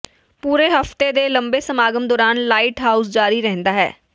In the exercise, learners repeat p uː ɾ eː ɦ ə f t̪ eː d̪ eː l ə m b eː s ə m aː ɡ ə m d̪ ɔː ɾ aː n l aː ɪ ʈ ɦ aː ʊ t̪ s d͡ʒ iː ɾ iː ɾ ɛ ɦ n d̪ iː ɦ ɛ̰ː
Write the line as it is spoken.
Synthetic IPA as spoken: p uː ɾ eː ɦ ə f t̪ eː d̪ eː l ə m b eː s ə m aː ɡ ə m d̪ ɔː ɾ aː n l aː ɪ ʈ ɦ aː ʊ s d͡ʒ aː ɾ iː ɾ ɛ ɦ n d̪ aː ɦ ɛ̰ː